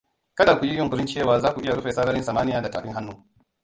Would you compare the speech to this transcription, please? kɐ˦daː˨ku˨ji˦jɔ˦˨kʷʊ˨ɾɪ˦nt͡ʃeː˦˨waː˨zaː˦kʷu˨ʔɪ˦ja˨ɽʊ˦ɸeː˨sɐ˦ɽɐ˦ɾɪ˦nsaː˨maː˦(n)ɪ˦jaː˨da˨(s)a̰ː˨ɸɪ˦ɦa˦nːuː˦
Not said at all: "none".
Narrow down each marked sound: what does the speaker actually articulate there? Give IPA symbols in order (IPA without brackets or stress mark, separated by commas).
n, t